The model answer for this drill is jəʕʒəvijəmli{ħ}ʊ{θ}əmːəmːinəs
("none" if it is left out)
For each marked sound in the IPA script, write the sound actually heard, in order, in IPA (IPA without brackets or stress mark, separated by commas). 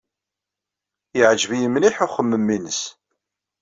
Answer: ħ, χ